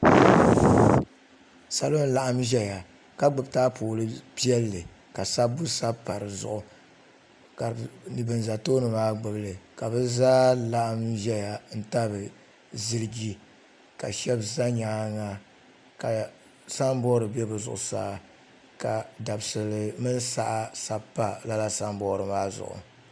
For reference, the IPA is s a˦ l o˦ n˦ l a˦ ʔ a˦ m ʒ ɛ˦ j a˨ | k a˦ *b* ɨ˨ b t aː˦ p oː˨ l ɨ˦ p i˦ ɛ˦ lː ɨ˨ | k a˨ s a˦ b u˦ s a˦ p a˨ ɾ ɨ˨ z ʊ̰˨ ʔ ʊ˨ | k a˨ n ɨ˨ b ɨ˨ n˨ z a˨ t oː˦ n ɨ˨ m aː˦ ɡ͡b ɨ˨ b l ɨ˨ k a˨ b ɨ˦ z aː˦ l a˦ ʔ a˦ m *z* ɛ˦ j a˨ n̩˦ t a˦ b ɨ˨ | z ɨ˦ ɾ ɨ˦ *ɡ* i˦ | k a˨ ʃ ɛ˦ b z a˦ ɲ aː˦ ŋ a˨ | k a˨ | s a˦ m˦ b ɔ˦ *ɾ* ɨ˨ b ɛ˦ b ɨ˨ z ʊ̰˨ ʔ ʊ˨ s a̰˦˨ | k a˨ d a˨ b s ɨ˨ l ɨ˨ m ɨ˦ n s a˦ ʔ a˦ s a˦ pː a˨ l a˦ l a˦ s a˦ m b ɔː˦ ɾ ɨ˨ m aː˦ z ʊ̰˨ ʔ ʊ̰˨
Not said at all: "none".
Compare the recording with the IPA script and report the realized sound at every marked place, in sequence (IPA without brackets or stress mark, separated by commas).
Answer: ɡ͡b, ʒ, ɡ, ɾ